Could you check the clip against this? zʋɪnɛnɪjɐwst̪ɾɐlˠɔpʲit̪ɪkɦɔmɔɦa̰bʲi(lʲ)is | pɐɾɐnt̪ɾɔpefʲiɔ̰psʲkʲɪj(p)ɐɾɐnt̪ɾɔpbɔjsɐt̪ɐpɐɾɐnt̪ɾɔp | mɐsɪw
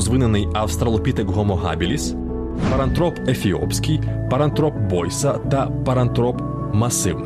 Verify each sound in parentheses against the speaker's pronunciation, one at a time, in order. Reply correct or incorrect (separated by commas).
correct, correct